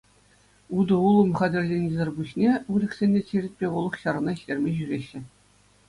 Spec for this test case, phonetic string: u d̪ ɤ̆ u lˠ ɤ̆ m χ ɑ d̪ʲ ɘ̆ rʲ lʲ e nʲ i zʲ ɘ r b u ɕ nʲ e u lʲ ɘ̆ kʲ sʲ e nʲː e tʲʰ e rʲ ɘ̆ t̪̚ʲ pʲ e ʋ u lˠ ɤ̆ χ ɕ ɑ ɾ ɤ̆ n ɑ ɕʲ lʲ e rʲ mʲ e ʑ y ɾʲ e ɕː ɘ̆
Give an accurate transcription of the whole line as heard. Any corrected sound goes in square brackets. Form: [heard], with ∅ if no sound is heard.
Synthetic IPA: u d̪ ɤ̆ u lˠ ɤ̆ m χ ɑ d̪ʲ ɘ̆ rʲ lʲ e nʲ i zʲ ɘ r b u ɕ nʲ e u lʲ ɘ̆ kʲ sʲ e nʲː e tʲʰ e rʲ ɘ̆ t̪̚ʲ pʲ e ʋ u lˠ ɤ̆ χ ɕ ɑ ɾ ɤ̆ n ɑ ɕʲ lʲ e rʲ mʲ e ʑ y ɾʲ e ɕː ɘ̆